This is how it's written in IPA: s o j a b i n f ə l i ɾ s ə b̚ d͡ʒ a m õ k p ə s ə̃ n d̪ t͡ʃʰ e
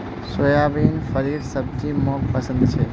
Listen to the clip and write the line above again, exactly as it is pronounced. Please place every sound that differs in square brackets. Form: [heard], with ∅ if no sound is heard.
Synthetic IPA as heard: s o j a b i n f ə [ɾ] i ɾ s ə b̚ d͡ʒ [i] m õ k p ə s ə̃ n d̪ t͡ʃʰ e